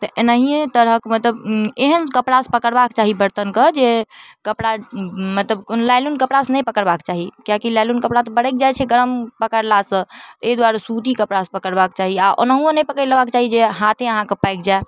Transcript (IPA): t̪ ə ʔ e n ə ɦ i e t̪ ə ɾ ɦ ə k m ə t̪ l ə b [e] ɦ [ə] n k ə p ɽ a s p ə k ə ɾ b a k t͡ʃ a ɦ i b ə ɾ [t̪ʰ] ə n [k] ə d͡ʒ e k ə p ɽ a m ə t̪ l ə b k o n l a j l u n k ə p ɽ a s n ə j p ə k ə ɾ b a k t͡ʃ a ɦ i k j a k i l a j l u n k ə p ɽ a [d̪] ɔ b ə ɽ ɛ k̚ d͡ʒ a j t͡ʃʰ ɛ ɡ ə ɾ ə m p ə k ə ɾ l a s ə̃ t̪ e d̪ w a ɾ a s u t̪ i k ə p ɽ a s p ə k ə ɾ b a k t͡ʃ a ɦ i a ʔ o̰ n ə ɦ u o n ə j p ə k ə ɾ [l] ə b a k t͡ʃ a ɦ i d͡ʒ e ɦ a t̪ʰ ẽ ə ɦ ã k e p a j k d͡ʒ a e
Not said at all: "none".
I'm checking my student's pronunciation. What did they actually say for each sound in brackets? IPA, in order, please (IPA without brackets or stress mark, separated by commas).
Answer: e, ə, t̪, k, t̪, l